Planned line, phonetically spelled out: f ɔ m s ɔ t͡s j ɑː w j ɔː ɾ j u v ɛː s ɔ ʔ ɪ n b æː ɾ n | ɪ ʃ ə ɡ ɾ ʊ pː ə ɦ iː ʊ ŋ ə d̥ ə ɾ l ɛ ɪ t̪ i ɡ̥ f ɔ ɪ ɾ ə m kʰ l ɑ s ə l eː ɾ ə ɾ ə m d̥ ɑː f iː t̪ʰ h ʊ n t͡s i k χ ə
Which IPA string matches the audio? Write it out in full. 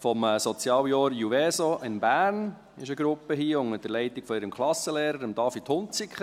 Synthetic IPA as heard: f ɔ m s ɔ t͡s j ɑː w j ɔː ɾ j u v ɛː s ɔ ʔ ɪ n b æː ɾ n | ɪ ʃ ə ɡ ɾ ʊ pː ə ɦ iː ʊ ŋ ə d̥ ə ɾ l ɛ ɪ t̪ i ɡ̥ f ɔ ɪ ɾ ə m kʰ l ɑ s ə l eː ɾ ə ɾ ə m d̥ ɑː f i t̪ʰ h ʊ n t͡s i k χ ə